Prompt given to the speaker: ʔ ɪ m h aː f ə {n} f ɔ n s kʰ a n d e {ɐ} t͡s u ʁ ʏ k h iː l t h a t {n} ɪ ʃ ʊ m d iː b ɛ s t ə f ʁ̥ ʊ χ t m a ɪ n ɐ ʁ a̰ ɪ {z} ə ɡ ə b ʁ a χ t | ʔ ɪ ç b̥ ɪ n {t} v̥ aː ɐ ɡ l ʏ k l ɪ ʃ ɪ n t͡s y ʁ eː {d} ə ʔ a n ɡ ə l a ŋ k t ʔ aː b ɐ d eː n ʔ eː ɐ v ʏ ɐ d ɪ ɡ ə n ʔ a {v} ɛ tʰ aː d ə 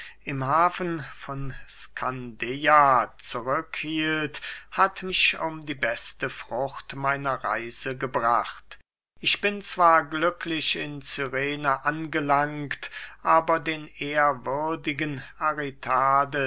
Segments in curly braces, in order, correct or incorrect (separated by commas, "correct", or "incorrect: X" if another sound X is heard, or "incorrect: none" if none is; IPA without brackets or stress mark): correct, incorrect: a, incorrect: m, correct, incorrect: t͡s, incorrect: n, incorrect: ʁ